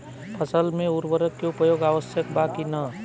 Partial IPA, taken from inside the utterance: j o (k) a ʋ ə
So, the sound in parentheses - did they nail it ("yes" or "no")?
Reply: no